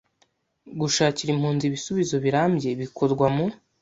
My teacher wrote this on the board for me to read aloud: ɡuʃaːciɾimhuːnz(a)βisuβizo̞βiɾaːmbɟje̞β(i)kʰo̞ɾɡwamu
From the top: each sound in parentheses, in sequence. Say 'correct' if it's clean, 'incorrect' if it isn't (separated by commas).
incorrect, correct